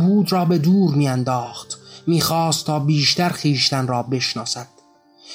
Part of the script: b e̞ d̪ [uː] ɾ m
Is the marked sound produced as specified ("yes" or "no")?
yes